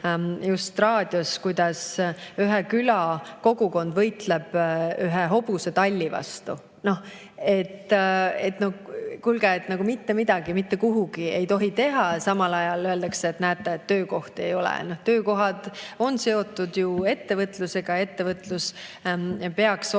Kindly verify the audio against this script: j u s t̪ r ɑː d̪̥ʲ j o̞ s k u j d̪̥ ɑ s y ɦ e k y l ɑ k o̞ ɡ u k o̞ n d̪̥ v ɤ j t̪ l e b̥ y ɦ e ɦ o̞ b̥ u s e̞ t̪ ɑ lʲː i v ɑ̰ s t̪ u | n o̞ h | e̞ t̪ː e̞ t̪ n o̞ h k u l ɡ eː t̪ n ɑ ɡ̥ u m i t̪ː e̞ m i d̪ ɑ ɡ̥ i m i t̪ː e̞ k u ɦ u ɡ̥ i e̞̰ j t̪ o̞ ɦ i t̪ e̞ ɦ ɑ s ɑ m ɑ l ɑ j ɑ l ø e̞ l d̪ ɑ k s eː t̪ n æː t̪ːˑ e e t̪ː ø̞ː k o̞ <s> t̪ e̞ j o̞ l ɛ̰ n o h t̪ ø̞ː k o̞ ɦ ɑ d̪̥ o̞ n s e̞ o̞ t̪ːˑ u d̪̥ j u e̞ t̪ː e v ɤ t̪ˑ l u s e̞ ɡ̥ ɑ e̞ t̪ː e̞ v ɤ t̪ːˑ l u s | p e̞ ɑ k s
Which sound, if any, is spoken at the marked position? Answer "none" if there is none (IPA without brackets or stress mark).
h